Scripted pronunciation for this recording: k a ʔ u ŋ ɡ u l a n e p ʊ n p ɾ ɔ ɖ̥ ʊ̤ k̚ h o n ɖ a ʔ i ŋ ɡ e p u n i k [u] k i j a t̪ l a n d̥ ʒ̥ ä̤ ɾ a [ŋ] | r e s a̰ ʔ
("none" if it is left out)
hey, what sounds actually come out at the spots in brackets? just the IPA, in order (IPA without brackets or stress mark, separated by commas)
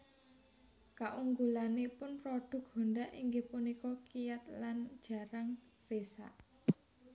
ɔ, ŋ